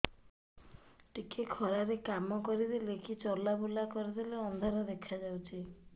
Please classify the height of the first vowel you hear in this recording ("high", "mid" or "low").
high